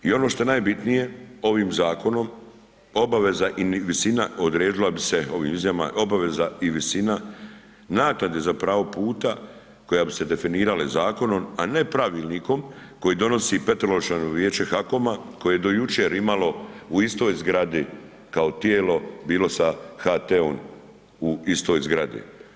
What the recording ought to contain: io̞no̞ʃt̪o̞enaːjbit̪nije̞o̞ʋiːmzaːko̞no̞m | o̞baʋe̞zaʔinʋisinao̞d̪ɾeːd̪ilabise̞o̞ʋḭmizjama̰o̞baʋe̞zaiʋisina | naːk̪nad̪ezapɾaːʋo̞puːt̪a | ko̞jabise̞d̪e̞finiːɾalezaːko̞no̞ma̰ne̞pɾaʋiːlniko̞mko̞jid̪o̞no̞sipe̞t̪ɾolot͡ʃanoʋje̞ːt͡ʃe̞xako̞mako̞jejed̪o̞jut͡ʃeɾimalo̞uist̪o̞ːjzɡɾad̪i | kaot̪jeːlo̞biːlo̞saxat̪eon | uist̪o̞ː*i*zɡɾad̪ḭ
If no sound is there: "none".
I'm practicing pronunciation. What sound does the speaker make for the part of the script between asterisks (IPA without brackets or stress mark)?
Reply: j